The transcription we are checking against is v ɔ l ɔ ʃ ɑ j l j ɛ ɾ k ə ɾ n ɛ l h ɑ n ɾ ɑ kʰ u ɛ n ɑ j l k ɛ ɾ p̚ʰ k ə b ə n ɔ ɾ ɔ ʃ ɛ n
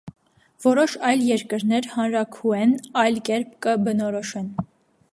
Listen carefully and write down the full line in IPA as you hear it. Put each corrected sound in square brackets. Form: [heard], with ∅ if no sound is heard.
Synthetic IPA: v ɔ [ɾ] ɔ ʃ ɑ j l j ɛ ɾ k ə ɾ n ɛ [ɾ] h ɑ n ɾ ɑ kʰ u ɛ n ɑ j l k ɛ ɾ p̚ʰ k ə b ə n ɔ ɾ ɔ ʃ ɛ n